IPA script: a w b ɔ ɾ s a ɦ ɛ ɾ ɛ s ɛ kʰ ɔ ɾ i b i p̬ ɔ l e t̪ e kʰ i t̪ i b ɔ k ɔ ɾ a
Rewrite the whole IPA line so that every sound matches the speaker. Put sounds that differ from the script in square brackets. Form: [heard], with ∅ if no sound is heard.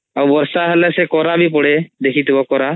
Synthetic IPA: a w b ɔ ɾ s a ɦ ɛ [l] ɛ s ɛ [k] ɔ ɾ [a] b i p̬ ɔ [ɽ] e [d̪] e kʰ i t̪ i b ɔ k ɔ ɾ a